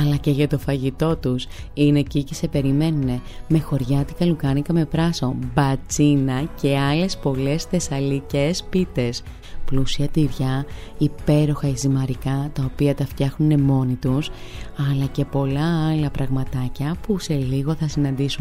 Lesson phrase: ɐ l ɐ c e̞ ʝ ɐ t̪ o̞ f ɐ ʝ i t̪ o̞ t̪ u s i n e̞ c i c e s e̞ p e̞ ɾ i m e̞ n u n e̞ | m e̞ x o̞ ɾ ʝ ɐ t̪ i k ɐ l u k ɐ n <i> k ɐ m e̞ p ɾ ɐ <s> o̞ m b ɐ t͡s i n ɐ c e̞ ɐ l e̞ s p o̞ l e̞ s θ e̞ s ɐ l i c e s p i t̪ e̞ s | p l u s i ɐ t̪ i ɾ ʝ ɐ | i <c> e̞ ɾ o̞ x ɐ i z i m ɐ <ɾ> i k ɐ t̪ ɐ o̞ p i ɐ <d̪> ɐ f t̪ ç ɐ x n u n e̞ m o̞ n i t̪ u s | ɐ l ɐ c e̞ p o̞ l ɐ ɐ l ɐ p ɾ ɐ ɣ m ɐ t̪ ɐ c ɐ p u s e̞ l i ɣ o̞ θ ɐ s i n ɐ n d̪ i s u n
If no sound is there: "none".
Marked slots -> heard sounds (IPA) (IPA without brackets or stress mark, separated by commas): i, s, p, ɾ, t̪